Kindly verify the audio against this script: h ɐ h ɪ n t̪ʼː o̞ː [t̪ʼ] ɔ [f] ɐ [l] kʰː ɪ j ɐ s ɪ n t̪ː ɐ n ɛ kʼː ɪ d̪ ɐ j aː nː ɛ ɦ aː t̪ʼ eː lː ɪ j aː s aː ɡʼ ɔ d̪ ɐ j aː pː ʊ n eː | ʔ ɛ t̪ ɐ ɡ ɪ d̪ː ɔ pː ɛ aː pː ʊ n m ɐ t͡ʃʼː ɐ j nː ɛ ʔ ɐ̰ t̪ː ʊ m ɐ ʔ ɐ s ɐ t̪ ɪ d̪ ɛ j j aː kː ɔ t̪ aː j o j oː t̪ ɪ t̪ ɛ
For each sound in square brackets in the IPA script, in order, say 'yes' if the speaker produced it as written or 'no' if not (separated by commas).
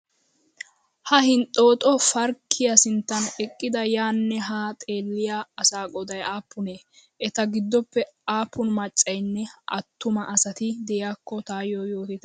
yes, yes, no